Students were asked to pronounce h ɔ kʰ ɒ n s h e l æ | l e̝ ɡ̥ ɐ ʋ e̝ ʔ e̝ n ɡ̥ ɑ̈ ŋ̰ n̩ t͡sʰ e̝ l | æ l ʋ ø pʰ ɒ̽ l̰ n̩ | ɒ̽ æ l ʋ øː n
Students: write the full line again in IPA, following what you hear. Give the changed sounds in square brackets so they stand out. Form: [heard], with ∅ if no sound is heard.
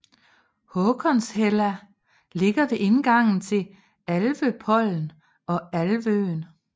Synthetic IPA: h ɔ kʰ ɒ n s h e l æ | l e̝ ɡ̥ ɐ ʋ e̝ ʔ e̝ n ɡ̥ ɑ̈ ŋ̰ n̩ t͡sʰ e̝ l | æ l ʋ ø pʰ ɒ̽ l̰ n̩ | ɒ̽ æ l ʋ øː n